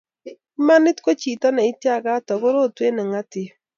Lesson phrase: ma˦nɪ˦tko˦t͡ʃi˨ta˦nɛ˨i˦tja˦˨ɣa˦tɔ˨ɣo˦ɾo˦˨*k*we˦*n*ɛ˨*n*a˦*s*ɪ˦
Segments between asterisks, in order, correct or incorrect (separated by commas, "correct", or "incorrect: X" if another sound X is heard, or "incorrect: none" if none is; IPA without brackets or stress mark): incorrect: t, correct, incorrect: ŋ, incorrect: t